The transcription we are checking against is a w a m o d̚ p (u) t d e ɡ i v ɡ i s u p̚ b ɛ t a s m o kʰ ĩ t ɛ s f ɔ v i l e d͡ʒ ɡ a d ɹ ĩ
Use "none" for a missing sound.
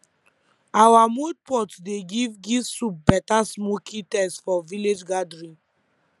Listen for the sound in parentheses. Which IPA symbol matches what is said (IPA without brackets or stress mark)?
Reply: ɔ